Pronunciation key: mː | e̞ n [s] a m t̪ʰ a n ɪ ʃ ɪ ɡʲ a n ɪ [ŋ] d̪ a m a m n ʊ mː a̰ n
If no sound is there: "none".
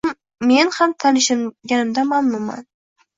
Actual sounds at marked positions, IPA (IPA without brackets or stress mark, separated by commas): h, m